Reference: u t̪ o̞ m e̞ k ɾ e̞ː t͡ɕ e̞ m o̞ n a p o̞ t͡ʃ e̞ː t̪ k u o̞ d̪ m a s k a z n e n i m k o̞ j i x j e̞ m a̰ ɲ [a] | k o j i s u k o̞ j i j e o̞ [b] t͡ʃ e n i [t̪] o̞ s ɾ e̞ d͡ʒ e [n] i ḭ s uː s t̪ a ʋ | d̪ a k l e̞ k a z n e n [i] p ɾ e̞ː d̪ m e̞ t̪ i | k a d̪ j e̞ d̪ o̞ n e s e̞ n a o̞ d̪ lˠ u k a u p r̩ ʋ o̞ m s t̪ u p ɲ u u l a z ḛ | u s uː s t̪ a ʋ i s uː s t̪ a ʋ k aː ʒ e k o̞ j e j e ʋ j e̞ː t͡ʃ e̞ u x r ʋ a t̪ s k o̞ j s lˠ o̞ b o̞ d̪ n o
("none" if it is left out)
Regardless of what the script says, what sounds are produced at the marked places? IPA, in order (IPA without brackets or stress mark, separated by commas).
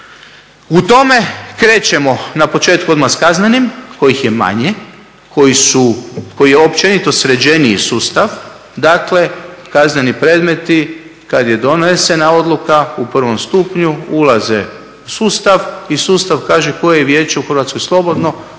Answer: e, p, t̪, n, i